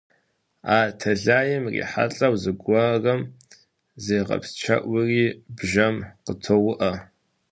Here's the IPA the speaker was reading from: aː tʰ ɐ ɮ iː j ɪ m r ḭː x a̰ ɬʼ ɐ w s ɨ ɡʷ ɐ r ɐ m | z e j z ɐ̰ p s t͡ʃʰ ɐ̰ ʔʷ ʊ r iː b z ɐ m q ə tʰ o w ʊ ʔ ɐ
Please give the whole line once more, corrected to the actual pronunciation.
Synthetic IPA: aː tʰ ɐ ɮ aː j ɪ m r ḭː ħ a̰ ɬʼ ɐ w z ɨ ɡʷ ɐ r ɐ m | z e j ʁ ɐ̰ p s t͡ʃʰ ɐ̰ ʔʷ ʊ r iː b ʒ ɐ m q ə tʰ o w ʊ ʔ ɐ